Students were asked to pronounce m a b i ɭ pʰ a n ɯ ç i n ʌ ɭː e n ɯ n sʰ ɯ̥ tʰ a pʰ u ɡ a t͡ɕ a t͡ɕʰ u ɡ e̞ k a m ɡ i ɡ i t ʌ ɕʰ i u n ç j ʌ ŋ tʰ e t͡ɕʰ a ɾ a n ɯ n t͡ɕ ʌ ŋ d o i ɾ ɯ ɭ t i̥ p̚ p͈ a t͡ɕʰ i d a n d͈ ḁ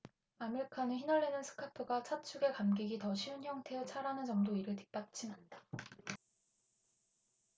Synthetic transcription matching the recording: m a m i ɭ kʰ a n ɯ ç i n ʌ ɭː e n ɯ n sʰ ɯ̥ kʰ a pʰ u ɡ a t͡ɕʰ a t͡ɕʰ u ɡ e̞ k a m ɡ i ɡ i t ʌ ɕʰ i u n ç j ʌ ŋ tʰ e t͡ɕʰ a ɾ a n ɯ n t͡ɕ ʌ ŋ d o i ɾ ɯ ɭ t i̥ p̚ p͈ a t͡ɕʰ i n a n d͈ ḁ